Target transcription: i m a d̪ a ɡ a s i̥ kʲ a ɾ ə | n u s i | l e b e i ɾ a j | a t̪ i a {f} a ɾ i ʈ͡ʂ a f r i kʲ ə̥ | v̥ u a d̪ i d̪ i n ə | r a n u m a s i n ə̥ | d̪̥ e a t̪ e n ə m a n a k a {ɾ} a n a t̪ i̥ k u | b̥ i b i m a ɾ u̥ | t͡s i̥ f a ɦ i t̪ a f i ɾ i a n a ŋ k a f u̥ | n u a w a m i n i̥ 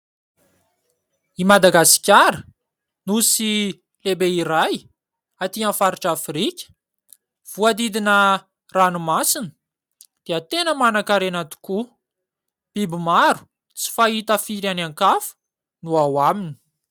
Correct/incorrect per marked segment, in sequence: correct, correct

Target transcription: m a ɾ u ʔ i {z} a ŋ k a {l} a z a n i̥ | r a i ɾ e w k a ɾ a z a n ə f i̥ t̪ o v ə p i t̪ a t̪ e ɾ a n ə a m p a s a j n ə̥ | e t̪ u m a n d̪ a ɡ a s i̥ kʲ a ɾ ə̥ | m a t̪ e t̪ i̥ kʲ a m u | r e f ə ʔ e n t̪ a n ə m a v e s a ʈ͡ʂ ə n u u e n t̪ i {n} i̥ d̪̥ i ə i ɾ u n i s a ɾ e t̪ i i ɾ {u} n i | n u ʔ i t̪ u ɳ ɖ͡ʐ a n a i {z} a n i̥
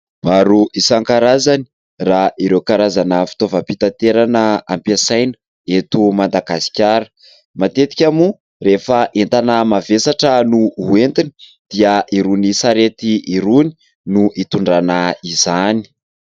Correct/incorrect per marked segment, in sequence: incorrect: s, incorrect: ɾ, correct, correct, correct

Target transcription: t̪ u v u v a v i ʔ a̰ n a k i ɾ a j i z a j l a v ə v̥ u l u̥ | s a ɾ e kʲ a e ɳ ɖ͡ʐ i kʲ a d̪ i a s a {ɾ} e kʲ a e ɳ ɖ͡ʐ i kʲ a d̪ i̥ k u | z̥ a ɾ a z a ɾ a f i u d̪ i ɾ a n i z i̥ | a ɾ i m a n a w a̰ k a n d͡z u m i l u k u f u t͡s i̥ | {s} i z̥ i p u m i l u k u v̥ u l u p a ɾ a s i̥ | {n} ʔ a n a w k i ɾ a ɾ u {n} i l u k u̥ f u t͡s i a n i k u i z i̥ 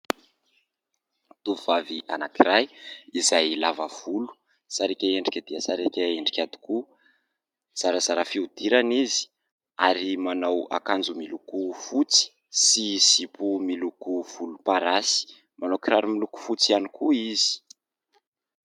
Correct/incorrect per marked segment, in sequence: correct, correct, incorrect: m, incorrect: m

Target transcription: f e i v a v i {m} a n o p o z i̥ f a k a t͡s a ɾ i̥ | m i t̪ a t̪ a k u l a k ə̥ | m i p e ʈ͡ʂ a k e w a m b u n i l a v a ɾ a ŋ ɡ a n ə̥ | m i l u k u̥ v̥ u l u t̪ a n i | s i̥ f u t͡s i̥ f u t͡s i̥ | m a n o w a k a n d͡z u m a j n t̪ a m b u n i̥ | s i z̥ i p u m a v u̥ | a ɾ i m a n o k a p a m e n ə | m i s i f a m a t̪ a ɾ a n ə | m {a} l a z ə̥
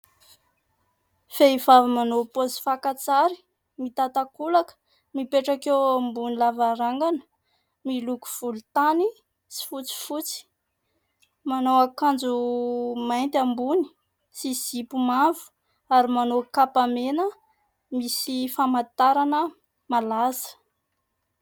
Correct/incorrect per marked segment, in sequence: correct, correct

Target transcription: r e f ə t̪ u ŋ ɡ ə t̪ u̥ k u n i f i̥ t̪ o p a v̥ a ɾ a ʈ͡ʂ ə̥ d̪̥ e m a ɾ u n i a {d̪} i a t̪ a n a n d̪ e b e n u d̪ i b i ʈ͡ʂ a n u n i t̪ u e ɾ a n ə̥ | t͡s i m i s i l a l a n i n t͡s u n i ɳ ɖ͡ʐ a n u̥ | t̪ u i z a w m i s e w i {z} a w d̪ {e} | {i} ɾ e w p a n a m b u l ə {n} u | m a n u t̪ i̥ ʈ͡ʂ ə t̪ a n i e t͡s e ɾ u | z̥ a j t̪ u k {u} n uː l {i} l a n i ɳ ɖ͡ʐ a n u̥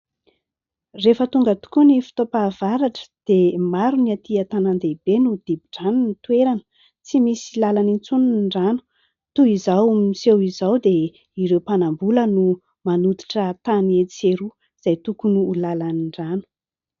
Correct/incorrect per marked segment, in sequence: incorrect: t̪, correct, correct, correct, correct, correct, incorrect: a

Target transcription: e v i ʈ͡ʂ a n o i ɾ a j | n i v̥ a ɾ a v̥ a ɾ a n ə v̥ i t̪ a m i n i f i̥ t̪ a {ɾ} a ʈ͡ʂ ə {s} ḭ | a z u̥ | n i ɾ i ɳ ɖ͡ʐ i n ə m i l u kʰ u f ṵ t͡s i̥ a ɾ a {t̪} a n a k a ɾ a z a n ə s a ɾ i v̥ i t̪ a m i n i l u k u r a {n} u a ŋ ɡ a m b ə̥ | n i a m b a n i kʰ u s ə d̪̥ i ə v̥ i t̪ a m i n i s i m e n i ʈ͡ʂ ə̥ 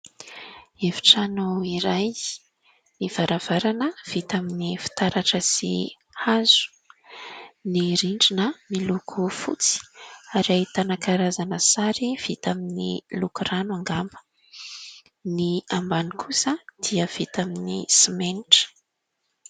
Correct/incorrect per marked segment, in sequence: correct, correct, correct, correct

